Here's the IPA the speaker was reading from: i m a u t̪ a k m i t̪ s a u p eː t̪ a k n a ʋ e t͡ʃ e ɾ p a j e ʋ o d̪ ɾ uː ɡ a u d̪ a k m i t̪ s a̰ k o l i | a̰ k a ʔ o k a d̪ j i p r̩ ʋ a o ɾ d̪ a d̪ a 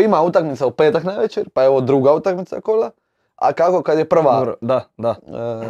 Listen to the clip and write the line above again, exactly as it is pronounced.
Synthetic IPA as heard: i m a u t̪ a k m i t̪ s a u p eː t̪ a k n a ʋ e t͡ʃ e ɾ p a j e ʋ o d̪ ɾ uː ɡ a u t̪ a k m i t̪ s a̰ k o l a | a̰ k a k o k a d̪ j e p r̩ ʋ a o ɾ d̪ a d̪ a